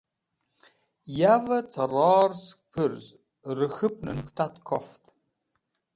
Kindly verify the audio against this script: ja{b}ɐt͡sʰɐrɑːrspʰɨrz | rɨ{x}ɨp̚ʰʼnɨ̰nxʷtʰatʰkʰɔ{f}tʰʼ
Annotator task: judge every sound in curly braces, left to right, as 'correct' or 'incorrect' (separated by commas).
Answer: incorrect, correct, correct